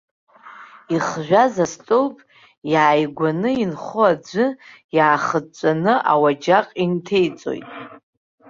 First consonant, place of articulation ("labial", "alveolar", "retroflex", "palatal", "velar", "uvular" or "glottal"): uvular